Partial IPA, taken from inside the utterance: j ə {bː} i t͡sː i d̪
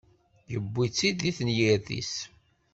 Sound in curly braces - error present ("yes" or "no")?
no